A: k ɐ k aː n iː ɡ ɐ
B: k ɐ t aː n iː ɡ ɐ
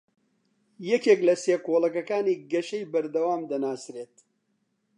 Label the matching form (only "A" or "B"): A